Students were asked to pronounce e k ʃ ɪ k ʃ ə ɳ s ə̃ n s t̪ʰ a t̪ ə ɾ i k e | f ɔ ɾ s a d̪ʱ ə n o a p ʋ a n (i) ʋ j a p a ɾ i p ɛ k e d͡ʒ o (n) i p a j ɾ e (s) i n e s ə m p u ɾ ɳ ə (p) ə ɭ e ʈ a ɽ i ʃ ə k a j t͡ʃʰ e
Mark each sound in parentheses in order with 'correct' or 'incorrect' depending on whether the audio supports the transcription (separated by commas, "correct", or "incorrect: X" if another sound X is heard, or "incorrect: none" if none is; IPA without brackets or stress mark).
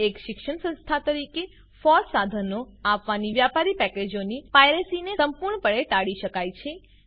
correct, correct, correct, correct